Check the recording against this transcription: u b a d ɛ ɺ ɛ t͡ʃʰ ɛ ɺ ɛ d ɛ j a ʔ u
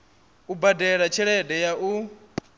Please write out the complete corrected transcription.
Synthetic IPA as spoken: u b a d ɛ ɺ a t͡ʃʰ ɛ ɺ ɛ d ɛ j a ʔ u